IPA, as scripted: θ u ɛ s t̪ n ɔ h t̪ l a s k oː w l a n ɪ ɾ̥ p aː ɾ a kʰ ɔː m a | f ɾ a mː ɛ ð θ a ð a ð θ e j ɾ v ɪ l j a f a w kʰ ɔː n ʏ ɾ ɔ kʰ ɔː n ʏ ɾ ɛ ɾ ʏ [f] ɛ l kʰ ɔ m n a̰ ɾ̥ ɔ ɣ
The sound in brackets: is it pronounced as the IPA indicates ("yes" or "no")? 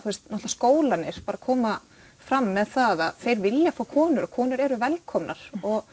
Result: no